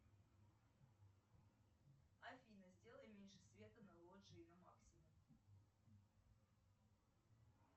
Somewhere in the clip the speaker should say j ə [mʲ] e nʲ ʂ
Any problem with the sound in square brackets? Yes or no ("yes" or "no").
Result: no